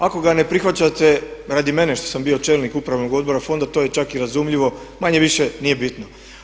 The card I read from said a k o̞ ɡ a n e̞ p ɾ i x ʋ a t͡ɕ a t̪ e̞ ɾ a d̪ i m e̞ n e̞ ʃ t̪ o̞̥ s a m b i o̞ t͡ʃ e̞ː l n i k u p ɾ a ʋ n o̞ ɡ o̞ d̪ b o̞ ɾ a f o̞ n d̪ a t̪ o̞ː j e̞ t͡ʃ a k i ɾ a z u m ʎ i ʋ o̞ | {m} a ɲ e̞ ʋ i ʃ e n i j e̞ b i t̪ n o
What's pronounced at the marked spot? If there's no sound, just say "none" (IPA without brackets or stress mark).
m